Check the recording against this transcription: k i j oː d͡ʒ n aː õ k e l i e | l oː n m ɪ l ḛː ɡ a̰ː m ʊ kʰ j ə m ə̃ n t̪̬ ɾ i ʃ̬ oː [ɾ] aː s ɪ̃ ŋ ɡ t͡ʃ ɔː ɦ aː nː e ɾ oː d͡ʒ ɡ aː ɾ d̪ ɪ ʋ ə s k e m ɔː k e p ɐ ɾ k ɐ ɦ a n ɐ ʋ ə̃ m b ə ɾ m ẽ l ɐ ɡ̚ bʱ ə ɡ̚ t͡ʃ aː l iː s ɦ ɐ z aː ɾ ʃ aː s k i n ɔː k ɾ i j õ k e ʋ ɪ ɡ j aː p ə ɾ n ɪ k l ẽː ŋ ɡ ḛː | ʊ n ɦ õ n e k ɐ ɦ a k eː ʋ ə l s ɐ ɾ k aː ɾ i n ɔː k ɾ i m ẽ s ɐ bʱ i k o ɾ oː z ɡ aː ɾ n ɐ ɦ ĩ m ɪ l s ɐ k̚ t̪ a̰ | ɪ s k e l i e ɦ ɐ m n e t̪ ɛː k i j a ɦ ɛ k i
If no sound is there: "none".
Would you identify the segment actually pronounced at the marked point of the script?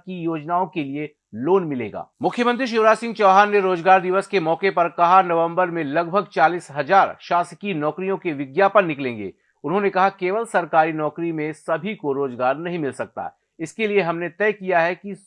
ɾ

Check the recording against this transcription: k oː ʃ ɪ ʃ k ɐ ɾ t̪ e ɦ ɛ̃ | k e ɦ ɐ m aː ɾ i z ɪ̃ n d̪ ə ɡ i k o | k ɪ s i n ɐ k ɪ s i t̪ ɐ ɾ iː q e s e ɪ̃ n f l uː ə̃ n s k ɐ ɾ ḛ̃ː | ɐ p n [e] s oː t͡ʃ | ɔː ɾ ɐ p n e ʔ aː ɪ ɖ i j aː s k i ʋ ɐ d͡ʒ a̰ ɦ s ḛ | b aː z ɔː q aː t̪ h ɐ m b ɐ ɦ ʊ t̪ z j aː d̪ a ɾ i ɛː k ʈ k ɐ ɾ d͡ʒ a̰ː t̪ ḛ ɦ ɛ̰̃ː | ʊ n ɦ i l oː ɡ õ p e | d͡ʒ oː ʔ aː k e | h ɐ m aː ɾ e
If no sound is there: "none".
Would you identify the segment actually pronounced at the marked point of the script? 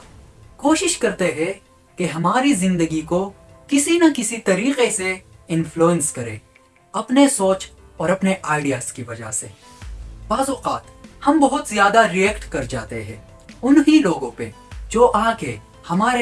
e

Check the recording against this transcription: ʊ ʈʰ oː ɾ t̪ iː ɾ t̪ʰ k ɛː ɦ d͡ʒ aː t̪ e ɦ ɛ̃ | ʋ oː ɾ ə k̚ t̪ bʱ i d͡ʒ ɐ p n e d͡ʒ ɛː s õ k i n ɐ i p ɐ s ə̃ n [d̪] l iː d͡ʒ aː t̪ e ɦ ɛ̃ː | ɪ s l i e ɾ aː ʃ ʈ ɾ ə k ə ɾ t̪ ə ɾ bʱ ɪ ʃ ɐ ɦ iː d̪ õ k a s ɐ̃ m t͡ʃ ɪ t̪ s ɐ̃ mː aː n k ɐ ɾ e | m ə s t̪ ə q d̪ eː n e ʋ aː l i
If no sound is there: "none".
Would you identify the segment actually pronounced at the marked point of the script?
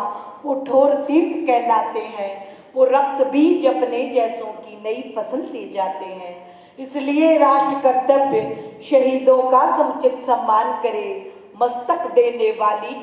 d̪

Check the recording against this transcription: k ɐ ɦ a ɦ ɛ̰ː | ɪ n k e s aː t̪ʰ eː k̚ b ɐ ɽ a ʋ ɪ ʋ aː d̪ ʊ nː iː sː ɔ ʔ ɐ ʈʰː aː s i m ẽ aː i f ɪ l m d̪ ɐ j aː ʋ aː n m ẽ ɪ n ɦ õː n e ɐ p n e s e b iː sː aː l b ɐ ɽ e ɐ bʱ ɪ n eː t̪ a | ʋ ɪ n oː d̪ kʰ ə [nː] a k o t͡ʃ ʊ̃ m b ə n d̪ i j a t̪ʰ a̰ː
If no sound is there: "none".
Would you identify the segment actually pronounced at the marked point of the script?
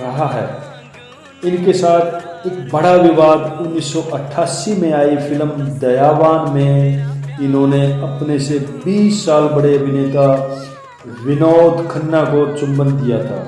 nː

